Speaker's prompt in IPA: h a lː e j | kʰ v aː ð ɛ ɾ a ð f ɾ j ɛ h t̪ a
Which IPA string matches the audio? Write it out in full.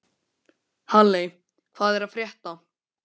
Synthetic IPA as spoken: h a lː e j | kʰ v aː ð ɛ ɾ a ð f ɾ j ɛ h t̪ a